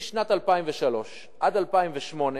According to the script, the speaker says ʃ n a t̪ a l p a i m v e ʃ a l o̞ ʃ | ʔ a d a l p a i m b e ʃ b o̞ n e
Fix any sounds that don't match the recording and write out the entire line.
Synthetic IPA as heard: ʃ n a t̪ a l p a i m v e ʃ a l o̞ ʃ | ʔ a d a l p a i m v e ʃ m o̞ n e